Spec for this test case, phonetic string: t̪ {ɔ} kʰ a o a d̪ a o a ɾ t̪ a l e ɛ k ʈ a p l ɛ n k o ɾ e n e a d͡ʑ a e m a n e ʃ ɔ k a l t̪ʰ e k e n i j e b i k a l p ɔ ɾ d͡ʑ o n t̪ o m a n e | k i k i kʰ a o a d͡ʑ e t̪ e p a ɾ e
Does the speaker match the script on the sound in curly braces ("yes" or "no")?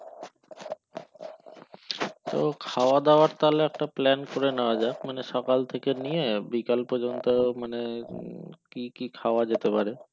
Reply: no